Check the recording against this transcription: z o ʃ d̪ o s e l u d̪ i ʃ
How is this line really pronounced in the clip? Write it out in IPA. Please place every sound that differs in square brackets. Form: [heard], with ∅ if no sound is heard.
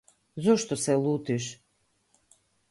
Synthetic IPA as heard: z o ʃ [t̪] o s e l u [t̪] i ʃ